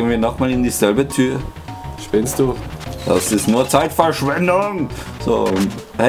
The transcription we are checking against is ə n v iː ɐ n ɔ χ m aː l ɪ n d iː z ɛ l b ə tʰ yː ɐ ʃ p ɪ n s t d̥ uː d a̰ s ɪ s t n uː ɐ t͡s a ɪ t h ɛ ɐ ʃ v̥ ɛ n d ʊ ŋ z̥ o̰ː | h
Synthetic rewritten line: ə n v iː ɐ n ɔ χ m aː l ɪ n d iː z ɛ l b ə tʰ yː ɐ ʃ p ɪ n s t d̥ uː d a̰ s ɪ s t n uː ɐ t͡s a ɪ t f ɛ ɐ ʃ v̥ ɛ n d ʊ ŋ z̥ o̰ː | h

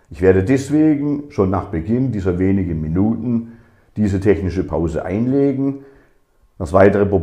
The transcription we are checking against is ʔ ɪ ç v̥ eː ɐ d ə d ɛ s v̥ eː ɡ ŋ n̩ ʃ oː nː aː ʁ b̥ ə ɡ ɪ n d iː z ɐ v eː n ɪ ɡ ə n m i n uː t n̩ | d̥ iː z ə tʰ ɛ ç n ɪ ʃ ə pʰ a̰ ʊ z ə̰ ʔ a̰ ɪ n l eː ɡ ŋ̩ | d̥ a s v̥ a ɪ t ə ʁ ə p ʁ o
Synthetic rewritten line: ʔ ɪ ç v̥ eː ɐ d ə d ɛ s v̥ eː ɡ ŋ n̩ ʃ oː nː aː χ b̥ ə ɡ ɪ n d iː z ɐ v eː n ɪ ɡ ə n m i n uː t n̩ | d̥ iː z ə tʰ ɛ ç n ɪ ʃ ə pʰ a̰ ʊ z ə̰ ʔ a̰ ɪ n l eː ɡ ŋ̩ | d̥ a s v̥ a ɪ t ə ʁ ə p ʁ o

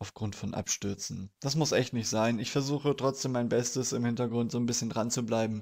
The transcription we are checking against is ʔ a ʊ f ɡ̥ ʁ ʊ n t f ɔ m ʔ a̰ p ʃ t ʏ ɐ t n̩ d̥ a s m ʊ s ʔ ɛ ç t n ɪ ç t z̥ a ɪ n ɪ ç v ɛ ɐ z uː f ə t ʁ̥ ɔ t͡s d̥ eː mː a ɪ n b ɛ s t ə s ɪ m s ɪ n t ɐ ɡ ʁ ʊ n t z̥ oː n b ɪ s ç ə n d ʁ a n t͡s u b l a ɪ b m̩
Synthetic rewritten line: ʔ a ʊ f ɡ̥ ʁ ʊ n t f ɔ n ʔ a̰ p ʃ t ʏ ɐ t͡s n̩ d̥ a s m ʊ s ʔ ɛ ç t n ɪ ç t z̥ a ɪ n ɪ ç f ɛ ɐ z uː x ə t ʁ̥ ɔ t͡s d̥ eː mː a ɪ n b ɛ s t ə s ɪ m h ɪ n t ɐ ɡ ʁ ʊ n t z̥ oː n b ɪ s ç ə n d ʁ a n t͡s u b l a ɪ b m̩

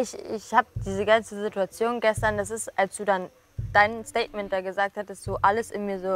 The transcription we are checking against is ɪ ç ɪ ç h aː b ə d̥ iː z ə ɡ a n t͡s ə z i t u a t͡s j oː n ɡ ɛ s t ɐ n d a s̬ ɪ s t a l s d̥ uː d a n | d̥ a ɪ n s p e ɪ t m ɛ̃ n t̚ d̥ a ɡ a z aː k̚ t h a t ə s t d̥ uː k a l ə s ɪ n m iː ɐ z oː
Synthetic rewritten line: ɪ ç ɪ ç h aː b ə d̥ iː z ə ɡ a n t͡s ə z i t u a t͡s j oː n ɡ ɛ s t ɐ n d a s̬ ɪ s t a l s d̥ uː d a n | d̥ a ɪ n s t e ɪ t m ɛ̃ n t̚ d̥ a ɡ ə z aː k̚ t h a t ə s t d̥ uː ʔ a l ə s ɪ n m iː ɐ z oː

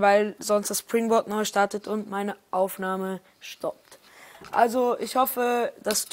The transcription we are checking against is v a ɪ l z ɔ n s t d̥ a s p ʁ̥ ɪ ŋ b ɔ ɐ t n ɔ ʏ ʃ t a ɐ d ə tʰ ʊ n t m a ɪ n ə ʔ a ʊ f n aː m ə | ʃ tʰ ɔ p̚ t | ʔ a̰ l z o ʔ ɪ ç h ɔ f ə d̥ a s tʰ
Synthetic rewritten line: v a ɪ l z ɔ n s t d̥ a s p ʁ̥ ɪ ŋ b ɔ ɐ t n ɔ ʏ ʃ t a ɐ t ə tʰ ʊ n t m a ɪ n ə ʔ a ʊ f n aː m ə | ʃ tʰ ɔ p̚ t | ʔ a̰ l z o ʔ ɪ ç h ɔ f ə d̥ a s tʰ

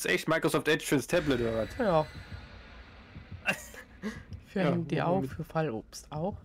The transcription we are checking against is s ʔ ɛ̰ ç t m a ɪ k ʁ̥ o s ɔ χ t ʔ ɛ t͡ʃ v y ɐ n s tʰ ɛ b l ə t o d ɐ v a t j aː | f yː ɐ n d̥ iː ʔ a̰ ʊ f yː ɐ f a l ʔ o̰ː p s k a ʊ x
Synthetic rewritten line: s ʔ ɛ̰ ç t m a ɪ k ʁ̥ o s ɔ f t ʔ ɛ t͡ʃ f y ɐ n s tʰ ɛ b l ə t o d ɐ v a t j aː | f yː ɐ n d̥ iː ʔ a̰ ʊ f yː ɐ f a l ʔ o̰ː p s t a ʊ x

